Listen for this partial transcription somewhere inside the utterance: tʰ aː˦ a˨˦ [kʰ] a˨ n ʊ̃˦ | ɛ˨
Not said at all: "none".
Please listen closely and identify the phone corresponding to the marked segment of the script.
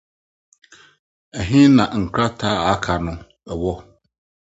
kʰ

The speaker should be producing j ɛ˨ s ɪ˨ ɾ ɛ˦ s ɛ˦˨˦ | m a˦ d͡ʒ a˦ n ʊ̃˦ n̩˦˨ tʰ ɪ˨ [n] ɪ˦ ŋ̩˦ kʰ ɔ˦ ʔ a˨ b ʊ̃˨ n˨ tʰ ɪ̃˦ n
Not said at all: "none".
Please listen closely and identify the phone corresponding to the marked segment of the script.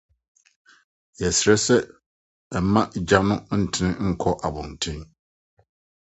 n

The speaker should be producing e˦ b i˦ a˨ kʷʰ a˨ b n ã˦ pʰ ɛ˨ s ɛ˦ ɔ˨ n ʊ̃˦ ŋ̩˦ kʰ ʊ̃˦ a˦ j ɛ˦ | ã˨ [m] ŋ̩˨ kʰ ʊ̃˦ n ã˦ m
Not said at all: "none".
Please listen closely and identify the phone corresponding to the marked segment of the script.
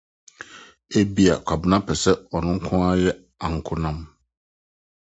none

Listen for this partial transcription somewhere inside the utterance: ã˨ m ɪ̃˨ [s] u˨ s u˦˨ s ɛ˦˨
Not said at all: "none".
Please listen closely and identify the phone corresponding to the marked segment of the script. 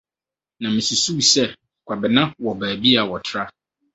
s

